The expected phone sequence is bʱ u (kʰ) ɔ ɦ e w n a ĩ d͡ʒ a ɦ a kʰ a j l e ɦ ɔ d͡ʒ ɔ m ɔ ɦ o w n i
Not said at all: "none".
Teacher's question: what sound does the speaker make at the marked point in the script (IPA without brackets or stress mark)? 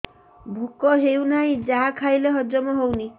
k